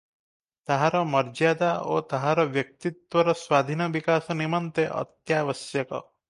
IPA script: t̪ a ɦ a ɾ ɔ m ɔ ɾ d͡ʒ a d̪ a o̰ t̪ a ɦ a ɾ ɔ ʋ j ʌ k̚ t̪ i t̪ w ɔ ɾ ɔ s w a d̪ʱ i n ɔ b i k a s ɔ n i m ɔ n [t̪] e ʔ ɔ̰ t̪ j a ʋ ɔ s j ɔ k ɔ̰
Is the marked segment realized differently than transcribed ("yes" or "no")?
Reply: no